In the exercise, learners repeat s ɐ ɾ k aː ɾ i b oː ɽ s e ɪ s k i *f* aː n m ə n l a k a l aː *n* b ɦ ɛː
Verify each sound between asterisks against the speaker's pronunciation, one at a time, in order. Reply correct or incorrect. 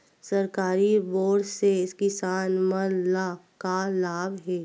incorrect: s, incorrect: none

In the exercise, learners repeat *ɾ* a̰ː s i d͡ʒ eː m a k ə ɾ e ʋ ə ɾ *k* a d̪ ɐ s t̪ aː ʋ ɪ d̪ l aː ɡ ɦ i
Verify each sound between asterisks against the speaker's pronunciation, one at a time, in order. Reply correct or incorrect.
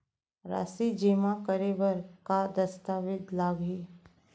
correct, correct

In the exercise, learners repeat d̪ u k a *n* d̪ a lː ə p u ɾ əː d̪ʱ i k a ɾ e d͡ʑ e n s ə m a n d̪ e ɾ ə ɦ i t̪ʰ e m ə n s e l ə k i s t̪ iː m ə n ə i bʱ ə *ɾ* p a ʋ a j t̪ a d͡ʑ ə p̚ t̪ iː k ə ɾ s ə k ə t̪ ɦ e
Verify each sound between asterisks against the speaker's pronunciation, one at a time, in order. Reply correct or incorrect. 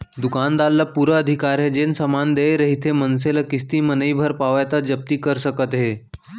correct, correct

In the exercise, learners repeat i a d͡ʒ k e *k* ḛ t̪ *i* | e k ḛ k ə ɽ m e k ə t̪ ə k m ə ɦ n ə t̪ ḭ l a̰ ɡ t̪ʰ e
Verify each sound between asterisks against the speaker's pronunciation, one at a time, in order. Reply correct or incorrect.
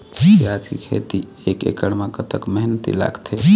incorrect: kʰ, correct

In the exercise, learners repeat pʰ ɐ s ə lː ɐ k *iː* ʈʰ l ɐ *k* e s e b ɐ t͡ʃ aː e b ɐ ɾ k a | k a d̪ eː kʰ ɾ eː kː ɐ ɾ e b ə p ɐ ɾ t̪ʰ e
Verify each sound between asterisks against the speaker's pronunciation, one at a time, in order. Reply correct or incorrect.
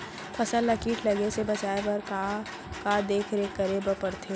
correct, incorrect: ɡ

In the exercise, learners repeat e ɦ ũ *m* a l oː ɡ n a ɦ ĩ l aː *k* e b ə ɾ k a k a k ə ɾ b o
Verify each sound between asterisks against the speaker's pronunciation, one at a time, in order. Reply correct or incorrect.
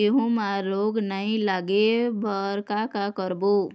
correct, incorrect: ɡ

